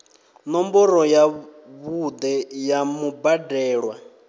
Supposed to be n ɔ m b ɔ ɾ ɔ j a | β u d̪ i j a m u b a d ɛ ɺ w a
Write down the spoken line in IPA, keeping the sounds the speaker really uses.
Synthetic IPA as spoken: n ɔ m b ɔ ɾ ɔ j a | β u d̪ ɛ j a m u b a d ɛː ɺ w a